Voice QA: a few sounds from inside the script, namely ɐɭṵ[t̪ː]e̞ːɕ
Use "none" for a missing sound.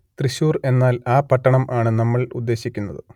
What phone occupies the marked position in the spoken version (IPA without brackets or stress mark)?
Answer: d̪ː